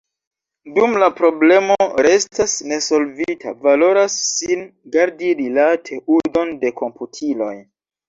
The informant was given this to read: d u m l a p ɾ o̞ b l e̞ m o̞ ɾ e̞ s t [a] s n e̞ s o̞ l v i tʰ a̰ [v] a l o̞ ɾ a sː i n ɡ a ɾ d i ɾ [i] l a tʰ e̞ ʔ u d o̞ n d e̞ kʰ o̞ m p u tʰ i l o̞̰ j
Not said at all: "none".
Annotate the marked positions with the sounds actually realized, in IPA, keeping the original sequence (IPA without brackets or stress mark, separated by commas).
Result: a, v, i